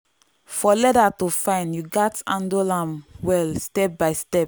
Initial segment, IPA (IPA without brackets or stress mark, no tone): f